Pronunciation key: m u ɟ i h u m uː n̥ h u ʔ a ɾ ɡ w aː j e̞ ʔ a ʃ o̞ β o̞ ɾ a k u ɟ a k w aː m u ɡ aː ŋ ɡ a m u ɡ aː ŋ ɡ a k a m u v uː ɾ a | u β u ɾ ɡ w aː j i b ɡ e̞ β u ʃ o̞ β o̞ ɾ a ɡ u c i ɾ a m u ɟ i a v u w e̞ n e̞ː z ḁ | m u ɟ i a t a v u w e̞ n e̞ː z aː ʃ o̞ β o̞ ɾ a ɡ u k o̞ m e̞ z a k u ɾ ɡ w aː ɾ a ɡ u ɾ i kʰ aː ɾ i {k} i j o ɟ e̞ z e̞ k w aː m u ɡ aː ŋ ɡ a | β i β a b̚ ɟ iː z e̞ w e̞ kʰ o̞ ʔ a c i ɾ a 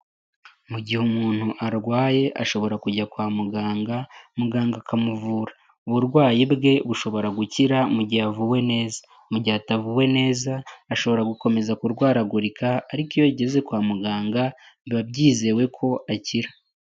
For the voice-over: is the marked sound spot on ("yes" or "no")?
yes